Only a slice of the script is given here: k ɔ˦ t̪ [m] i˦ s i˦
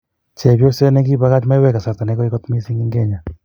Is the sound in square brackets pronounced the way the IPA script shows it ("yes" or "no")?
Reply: yes